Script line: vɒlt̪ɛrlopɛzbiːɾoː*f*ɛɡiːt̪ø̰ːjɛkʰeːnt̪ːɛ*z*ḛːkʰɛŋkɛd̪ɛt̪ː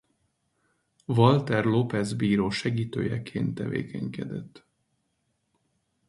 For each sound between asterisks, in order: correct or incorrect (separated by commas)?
incorrect, incorrect